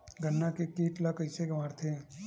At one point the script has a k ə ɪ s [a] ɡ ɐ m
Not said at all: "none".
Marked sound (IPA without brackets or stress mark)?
e